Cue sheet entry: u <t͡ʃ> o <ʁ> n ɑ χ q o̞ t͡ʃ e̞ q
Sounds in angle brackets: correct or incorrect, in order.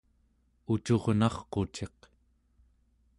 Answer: correct, correct

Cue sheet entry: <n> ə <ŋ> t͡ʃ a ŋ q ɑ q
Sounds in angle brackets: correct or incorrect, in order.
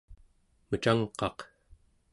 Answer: incorrect, incorrect

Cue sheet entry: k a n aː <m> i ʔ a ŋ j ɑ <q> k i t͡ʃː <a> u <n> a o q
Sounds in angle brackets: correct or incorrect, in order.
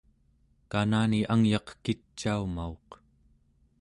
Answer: incorrect, correct, correct, incorrect

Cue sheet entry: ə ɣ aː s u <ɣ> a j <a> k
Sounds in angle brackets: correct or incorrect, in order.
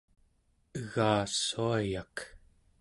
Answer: incorrect, correct

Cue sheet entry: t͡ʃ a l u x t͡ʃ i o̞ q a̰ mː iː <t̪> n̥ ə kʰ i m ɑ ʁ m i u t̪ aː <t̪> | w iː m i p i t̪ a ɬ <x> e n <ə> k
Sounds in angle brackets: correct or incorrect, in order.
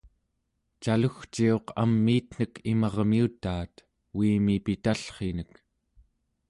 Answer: correct, correct, incorrect, correct

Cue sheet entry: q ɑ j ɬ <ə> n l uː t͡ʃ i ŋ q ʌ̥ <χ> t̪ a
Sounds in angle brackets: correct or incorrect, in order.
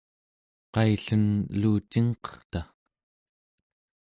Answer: correct, correct

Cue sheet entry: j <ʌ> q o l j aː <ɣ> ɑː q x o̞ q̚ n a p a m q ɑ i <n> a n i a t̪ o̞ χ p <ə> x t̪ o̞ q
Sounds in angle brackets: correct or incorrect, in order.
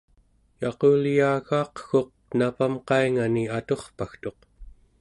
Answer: incorrect, correct, incorrect, incorrect

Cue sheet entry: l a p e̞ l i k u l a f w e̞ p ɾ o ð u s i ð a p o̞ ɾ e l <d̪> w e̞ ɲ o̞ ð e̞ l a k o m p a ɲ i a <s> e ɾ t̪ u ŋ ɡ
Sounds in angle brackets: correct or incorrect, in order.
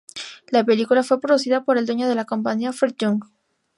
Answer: correct, incorrect

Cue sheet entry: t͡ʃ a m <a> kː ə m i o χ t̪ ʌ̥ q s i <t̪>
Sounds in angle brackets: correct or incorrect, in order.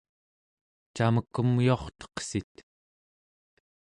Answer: incorrect, correct

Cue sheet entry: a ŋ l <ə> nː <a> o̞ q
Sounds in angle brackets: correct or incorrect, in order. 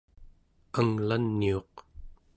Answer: incorrect, incorrect

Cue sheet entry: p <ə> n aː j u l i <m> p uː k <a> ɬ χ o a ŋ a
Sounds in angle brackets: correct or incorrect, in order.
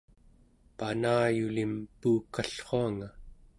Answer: incorrect, correct, correct

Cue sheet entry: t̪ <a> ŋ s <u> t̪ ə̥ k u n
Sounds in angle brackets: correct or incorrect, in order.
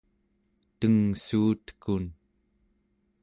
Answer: incorrect, incorrect

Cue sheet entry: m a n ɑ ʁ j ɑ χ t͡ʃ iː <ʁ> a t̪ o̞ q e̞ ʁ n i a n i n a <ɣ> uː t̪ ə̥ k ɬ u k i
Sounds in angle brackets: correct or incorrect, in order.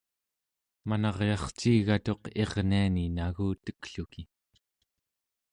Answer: incorrect, correct

